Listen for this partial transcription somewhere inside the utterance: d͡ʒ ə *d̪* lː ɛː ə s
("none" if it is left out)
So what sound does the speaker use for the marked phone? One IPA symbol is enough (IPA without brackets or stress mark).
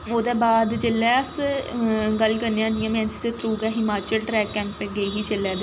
none